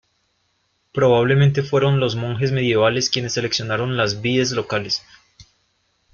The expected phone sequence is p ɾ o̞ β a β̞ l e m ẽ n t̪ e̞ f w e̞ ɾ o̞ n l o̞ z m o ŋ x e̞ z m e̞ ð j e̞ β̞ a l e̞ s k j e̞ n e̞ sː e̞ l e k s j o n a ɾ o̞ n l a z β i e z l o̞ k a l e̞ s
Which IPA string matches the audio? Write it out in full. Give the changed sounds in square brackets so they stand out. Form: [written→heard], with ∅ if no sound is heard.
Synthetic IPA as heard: p ɾ o̞ β a β̞ l e m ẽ n t̪ e̞ f w e̞ ɾ o̞ n l o̞ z m o ŋ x e̞ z m e̞ ð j e̞ β̞ a l e̞ s k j e̞ n e̞ sː e̞ l e k s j o n a ɾ o̞ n l a z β i e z l o̞ k a l e̞ s